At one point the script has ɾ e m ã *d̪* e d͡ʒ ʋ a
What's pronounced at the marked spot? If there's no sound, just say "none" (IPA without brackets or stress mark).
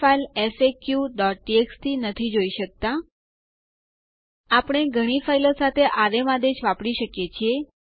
d̪